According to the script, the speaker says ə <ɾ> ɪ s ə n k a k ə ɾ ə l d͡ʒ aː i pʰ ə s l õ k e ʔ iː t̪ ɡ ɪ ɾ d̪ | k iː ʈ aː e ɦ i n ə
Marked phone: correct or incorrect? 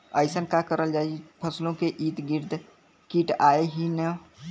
incorrect: none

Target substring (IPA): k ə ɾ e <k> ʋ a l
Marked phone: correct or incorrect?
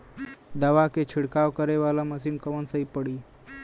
incorrect: none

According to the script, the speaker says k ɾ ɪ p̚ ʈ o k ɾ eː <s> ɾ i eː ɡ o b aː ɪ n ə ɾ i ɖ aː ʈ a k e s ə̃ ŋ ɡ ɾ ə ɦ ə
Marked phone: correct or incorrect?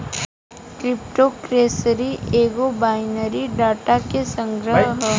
correct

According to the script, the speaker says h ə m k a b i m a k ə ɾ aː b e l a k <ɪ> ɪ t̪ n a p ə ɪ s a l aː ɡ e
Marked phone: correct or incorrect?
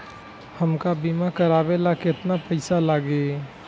correct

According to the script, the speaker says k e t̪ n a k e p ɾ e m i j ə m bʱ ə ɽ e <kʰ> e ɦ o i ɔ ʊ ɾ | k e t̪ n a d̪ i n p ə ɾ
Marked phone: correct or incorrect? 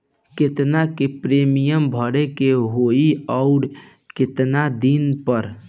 incorrect: k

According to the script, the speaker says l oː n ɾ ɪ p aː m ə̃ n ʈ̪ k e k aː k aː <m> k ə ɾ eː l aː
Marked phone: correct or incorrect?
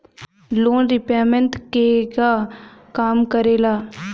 correct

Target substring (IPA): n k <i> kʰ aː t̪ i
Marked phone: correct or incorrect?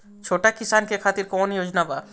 incorrect: e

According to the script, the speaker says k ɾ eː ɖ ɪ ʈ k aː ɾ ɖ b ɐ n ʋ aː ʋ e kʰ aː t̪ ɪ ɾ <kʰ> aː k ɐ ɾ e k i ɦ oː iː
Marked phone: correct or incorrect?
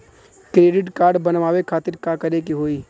incorrect: k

